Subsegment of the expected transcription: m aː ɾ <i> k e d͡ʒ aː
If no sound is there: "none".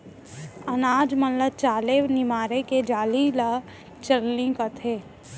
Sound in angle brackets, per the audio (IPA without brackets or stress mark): e